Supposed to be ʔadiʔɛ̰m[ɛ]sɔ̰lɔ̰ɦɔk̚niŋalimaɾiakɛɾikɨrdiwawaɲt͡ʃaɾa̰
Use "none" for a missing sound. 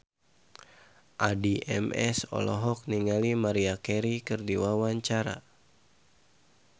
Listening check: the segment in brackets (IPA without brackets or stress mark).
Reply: ɛ